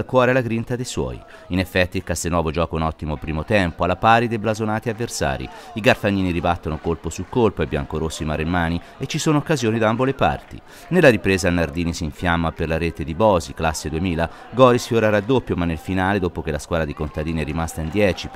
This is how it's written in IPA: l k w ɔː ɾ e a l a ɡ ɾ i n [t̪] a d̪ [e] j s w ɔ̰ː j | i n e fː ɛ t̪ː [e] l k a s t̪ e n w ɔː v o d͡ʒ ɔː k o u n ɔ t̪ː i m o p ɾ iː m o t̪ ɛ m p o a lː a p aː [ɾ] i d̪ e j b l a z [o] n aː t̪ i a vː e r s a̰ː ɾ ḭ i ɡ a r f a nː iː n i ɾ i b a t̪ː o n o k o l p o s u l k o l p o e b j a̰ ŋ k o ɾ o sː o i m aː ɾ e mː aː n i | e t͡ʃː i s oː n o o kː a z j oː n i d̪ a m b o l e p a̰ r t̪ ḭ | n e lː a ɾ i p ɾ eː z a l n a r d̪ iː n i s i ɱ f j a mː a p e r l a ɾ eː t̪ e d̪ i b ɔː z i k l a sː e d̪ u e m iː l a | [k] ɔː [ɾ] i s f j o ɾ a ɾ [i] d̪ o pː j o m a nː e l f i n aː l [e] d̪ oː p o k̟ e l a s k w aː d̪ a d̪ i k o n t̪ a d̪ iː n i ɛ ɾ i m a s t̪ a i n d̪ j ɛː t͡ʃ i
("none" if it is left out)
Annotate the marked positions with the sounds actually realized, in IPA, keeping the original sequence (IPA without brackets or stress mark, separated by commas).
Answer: t̪, e, i, ɾ, o, ɡ, ɾ, a, e